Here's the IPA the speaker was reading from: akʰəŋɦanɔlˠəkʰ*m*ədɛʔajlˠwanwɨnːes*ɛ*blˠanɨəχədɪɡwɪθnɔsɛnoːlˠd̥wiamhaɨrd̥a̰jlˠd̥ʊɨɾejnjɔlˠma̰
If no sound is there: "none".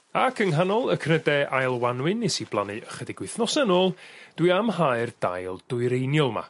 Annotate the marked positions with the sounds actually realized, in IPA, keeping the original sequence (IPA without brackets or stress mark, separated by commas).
n, i